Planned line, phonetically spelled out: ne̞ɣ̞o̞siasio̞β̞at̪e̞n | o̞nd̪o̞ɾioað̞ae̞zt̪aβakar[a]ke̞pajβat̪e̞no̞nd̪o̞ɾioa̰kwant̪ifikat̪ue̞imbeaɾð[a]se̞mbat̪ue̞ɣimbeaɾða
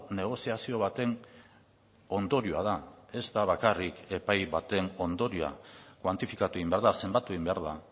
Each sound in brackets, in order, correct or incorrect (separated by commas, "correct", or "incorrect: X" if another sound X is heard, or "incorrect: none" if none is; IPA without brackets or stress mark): incorrect: i, correct